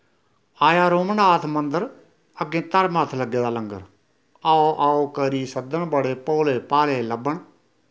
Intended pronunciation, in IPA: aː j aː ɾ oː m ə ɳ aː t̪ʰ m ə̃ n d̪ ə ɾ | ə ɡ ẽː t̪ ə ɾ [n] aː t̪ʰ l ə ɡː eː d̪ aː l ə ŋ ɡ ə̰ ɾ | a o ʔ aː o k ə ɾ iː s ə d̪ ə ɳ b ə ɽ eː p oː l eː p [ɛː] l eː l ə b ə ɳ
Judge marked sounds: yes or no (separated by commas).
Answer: no, no